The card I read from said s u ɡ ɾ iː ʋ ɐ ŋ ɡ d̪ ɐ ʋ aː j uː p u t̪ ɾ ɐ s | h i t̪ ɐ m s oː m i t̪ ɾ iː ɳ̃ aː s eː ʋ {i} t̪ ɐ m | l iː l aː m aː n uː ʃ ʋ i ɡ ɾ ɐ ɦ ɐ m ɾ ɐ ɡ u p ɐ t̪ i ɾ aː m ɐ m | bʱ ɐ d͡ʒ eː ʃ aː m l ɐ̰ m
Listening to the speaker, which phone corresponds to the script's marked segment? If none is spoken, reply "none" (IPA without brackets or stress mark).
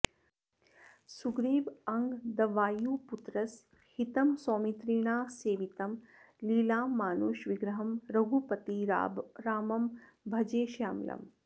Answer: i